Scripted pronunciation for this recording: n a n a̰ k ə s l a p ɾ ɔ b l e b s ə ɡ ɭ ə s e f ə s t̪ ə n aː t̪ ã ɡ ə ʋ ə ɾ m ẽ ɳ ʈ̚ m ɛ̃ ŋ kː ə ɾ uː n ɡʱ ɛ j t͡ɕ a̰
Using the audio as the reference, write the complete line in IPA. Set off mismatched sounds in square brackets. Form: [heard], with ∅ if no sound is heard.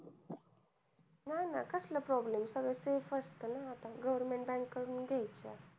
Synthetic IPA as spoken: n a n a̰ k ə s l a p ɾ ɔ b l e [m] s ə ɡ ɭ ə s e f ə s t̪ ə n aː t̪ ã ɡ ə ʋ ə ɾ m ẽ ɳ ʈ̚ [b] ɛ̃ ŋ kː ə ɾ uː n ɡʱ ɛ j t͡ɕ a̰